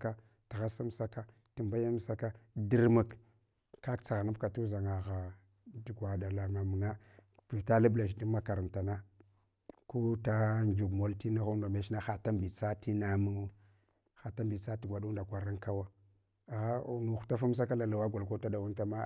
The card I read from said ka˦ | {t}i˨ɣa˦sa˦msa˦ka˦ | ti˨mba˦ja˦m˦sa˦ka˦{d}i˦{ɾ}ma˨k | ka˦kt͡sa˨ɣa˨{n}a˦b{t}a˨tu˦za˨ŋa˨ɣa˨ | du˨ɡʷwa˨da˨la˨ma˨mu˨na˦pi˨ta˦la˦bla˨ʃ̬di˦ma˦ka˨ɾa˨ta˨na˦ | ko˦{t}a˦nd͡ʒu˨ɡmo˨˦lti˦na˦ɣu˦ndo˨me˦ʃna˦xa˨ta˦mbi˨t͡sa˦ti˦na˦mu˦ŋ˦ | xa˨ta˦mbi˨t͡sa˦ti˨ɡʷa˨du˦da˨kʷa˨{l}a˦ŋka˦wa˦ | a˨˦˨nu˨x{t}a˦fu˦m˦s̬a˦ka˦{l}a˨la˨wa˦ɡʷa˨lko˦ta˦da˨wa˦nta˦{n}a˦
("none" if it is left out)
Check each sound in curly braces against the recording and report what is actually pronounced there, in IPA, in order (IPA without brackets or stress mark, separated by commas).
t, d, ɾ, n, k, t, ɾ, t, l, m